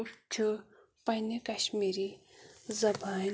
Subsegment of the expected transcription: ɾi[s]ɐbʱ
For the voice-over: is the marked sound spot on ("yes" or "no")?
no